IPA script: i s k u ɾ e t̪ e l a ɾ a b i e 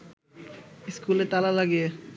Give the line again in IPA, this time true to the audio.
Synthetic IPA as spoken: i s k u l e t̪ a l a l a ɡ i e